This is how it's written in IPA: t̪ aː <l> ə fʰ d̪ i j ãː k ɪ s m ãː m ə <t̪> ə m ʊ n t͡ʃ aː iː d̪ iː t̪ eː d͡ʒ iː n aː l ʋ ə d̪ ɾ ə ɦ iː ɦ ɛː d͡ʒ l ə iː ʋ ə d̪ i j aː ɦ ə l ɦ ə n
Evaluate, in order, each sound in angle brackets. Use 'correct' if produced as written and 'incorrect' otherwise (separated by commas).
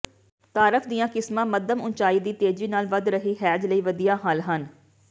incorrect, incorrect